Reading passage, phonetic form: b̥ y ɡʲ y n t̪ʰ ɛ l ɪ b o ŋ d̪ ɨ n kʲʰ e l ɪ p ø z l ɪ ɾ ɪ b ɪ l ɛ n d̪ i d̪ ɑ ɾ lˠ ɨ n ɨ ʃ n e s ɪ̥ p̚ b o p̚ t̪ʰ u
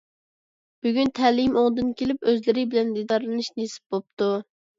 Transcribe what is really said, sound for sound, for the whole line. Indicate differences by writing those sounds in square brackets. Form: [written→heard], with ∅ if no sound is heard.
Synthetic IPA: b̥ y ɡʲ y n t̪ʰ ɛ l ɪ [b→m] o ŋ d̪ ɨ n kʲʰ e l ɪ p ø z l ɪ ɾ ɪ b ɪ l ɛ n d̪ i d̪ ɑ ɾ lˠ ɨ n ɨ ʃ n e s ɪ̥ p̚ b o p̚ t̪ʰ u